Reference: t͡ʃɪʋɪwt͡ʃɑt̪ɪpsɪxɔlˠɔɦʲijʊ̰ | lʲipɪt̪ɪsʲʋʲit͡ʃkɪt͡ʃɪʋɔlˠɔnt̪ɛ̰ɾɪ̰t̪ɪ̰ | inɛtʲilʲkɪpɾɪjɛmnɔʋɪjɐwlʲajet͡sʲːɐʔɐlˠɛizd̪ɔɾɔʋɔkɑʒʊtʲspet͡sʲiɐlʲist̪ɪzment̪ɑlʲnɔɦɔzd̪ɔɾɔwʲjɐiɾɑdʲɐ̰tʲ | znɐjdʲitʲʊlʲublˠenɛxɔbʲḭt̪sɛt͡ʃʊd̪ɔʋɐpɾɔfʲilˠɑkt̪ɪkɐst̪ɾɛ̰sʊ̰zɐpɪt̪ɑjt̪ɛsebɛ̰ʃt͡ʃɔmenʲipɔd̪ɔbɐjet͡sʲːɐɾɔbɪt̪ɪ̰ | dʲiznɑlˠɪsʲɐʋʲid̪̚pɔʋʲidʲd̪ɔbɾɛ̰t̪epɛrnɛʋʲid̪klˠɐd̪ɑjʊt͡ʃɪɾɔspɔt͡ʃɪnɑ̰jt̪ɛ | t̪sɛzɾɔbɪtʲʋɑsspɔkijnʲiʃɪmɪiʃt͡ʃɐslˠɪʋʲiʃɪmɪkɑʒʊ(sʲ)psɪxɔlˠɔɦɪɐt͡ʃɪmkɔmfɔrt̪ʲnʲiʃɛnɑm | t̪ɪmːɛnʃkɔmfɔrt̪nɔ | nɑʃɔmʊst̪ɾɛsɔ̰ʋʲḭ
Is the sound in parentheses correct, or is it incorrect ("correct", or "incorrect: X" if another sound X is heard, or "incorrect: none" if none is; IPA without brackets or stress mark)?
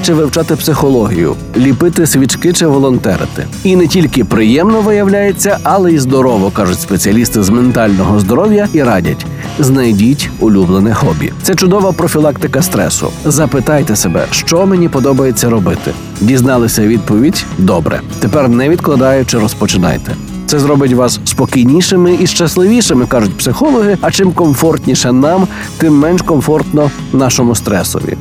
incorrect: tʲ